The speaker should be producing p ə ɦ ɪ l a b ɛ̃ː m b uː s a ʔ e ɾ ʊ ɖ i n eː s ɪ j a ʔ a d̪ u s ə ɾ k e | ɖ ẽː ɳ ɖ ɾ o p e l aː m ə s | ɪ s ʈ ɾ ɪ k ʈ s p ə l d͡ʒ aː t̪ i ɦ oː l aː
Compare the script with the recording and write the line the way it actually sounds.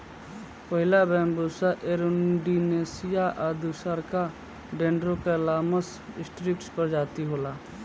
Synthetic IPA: p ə ɦ ɪ l a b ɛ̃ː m b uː s a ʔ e ɾ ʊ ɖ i n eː s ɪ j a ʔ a d̪ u s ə ɾ k a | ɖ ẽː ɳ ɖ ɾ o k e l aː m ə s | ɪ s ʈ ɾ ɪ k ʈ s p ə ɾ d͡ʒ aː t̪ i ɦ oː l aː